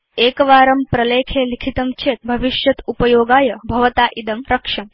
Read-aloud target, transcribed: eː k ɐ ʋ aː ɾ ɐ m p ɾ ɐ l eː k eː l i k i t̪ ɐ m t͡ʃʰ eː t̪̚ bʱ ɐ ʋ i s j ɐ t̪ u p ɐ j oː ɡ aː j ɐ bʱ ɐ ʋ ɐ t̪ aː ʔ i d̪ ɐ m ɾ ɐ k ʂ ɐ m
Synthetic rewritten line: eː k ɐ ʋ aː ɾ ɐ m p ɾ ɐ l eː kʰ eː l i kʰ i t̪ ɐ m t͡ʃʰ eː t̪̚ bʱ ɐ ʋ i ʃ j ɐ t̪ u p ɐ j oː ɡ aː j ɐ bʱ ɐ ʋ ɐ t̪ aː ʔ i d̪ ɐ m ɾ ɐ k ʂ ɐ m